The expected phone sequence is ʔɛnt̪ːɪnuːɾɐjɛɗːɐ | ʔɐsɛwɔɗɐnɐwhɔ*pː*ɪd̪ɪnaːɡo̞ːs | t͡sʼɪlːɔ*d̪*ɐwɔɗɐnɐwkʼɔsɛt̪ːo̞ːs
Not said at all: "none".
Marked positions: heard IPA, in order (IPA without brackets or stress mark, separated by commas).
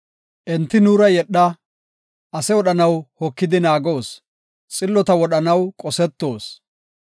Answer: kː, t̪